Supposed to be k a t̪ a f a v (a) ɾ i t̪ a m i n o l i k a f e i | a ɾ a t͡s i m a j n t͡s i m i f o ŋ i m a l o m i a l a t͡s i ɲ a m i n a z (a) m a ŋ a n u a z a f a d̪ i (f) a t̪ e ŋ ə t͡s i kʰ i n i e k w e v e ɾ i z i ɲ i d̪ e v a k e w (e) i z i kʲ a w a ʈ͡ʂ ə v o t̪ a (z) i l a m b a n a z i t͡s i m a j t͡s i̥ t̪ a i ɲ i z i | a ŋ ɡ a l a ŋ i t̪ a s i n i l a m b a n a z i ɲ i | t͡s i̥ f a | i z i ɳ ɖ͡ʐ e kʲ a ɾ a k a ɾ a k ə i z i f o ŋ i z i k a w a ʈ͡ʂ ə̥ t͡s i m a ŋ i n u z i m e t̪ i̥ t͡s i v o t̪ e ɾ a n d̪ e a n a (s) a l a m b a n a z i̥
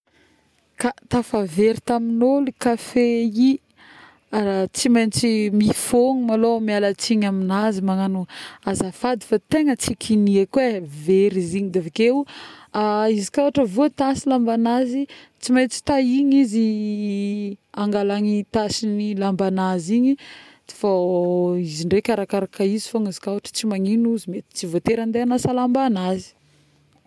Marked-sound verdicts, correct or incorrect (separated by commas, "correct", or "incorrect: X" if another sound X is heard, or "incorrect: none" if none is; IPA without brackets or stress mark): incorrect: e, incorrect: i, correct, incorrect: a, incorrect: s, correct